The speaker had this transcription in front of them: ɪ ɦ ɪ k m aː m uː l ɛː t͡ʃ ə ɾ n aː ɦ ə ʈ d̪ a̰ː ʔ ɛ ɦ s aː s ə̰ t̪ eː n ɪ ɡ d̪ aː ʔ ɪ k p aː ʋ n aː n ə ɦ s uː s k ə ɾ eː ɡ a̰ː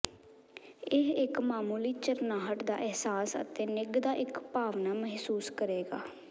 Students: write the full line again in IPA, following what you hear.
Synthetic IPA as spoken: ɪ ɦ ɪ k m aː m uː l iː t͡ʃ ə ɾ n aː ɦ ə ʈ d̪ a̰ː ʔ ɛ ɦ s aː s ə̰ t̪ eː n ɪ ɡ d̪ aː ʔ ɪ k p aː ʋ n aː m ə ɦ s uː s k ə ɾ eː ɡ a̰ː